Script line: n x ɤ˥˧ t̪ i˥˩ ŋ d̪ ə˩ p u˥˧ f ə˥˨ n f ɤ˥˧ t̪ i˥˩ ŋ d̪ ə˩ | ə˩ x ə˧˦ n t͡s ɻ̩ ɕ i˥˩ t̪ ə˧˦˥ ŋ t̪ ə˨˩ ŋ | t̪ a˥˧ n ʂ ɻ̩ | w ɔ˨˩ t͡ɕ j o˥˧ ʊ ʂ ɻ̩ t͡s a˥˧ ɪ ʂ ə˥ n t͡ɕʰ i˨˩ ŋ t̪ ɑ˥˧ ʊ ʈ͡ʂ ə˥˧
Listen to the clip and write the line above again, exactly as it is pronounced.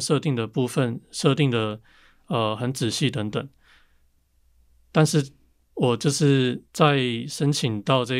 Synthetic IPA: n ʂ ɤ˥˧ t̪ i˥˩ ŋ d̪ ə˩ p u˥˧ f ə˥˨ n ʂ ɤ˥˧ t̪ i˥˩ ŋ d̪ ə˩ | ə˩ x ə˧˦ n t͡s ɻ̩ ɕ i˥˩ t̪ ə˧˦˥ ŋ t̪ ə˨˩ ŋ | t̪ a˥˧ n ʂ ɻ̩ | w ɔ˨˩ t͡ɕ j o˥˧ ʊ ʂ ɻ̩ t͡s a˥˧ ɪ ʂ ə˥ n t͡ɕʰ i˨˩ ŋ t̪ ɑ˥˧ ʊ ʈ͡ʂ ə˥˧